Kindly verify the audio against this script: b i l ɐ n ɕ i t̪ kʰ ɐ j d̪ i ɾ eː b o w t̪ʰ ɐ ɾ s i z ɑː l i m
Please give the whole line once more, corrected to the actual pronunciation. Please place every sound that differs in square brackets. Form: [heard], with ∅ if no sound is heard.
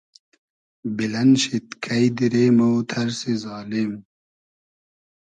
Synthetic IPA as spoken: b i l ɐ n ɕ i t̪ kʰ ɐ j d̪ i ɾ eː [m] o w t̪ʰ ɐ ɾ s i z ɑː l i m